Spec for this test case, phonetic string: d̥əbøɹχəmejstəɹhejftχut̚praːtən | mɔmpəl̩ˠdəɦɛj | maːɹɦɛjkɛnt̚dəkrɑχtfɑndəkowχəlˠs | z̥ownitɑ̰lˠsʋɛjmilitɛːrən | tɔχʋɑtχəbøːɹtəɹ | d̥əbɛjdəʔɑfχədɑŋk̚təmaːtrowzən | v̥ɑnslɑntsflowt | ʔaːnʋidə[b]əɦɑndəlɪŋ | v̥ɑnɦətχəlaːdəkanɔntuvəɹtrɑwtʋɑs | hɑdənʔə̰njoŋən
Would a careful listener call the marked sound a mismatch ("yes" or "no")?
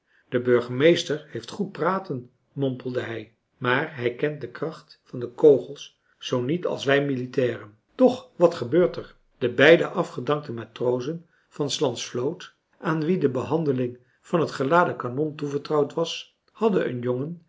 no